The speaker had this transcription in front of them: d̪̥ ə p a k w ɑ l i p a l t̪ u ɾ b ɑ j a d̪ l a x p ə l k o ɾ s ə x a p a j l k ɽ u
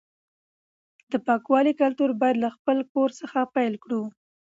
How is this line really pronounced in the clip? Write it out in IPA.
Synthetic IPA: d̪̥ ə p ɑ k w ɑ l i k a l t̪ u ɾ b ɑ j a d̪ l a x p ə l k o ɾ s ə x a p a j l k ɽ u